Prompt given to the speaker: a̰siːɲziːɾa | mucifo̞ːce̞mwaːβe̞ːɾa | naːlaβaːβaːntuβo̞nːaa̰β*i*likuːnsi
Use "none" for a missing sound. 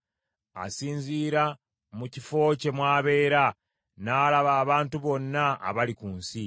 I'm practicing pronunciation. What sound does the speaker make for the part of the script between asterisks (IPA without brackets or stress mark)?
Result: a